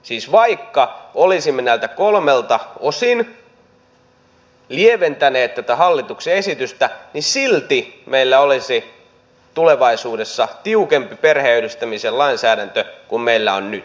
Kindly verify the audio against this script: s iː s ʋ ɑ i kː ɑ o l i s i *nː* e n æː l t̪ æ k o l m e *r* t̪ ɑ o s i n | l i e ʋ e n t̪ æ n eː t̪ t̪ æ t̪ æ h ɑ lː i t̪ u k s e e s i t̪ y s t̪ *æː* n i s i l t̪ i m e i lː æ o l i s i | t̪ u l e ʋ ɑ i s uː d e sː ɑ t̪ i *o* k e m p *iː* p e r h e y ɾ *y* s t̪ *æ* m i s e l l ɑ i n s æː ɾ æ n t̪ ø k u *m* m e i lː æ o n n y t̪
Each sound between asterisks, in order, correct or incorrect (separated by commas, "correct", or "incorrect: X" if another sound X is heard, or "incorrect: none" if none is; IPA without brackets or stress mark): incorrect: mː, incorrect: l, incorrect: æ, incorrect: u, incorrect: i, correct, correct, correct